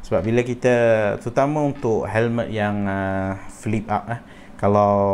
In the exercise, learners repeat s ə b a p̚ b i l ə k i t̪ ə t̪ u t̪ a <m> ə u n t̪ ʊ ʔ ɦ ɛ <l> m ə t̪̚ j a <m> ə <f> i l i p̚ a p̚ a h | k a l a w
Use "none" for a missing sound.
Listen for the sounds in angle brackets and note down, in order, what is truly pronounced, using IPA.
m, l, ŋ, f

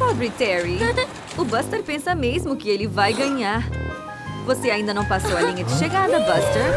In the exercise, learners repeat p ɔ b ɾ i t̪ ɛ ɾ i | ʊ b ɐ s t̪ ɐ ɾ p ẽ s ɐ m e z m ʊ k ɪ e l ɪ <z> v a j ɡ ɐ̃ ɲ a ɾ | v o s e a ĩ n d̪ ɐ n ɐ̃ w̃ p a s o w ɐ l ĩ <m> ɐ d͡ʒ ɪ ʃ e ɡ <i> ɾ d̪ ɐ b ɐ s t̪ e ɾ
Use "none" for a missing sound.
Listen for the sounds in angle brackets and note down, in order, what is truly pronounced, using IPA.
none, ɲ, a

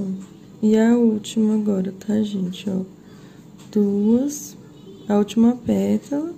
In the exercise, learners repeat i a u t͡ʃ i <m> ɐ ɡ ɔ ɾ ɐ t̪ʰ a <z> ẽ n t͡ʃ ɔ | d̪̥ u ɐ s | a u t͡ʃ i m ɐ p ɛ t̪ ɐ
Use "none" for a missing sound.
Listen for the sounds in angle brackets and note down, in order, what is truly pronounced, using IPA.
m, ʒ

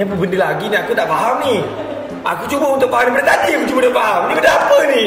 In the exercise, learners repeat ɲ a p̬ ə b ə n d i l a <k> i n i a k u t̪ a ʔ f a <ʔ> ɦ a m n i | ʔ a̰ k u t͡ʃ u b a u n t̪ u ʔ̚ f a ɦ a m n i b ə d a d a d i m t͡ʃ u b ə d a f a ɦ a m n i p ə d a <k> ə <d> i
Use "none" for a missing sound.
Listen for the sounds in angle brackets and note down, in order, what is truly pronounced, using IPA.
ɡ, none, p, n

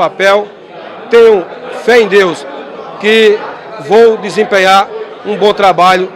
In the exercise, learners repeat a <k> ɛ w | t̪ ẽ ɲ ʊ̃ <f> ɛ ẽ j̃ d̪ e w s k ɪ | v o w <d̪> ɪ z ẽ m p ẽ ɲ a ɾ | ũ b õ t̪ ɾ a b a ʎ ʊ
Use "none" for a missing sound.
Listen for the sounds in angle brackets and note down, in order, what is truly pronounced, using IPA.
p, f, d̪

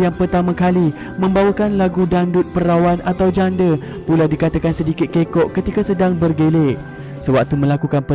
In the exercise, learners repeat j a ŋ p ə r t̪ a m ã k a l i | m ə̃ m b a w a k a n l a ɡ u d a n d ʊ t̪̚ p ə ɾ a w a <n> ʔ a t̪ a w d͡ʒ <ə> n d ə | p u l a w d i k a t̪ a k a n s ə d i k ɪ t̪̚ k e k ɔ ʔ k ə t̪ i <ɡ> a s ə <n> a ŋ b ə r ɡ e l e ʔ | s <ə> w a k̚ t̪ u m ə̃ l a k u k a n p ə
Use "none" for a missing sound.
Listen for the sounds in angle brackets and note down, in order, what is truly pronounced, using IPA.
n, a, k, d, ə

